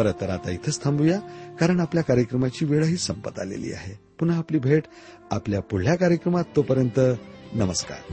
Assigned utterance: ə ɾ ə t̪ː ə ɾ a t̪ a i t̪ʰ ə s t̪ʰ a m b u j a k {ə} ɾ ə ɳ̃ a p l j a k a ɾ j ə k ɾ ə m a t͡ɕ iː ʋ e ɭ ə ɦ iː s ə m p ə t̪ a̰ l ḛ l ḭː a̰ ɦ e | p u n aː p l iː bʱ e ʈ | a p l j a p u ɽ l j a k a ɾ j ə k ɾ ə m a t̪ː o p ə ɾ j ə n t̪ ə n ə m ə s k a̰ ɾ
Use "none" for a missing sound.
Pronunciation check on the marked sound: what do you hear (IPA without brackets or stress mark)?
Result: a